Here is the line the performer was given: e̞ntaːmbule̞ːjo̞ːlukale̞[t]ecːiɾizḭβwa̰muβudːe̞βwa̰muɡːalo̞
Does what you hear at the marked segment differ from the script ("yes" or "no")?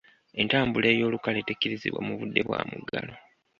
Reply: no